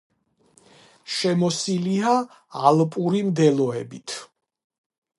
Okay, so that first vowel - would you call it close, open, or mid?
mid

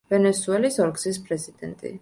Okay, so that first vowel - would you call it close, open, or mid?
mid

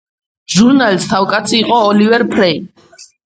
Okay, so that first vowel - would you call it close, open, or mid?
close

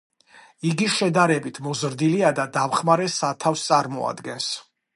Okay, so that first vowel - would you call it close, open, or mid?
close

